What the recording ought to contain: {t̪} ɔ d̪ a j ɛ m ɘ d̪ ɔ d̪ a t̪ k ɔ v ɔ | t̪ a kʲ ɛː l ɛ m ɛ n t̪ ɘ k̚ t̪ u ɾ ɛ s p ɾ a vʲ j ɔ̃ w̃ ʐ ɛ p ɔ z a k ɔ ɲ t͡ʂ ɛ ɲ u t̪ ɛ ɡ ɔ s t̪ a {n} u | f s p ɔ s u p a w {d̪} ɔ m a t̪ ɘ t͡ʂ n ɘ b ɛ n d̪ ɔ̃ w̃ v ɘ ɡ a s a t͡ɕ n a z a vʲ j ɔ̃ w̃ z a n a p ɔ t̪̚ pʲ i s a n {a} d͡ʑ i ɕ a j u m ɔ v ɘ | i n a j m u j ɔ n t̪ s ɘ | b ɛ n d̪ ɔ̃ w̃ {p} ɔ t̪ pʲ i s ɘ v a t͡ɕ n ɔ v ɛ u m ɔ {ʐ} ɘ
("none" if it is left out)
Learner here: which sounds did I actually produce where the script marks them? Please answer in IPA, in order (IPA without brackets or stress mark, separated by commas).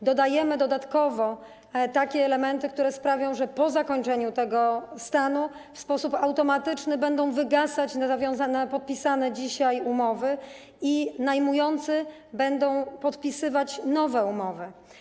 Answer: d̪, n, t̪, ɛ, p, v